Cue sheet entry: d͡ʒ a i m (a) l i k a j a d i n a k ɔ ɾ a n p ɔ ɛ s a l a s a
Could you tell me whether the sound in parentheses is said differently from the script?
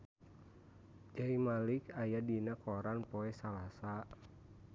no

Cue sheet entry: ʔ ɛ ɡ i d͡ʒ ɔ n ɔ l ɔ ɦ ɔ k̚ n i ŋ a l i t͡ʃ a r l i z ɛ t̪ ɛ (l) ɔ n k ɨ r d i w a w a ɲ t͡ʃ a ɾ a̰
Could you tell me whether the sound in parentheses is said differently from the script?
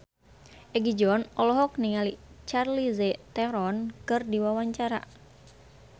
yes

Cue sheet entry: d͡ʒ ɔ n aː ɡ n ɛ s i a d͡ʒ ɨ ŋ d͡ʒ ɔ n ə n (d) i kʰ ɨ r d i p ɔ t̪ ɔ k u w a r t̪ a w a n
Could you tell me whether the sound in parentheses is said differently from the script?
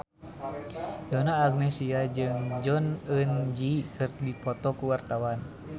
yes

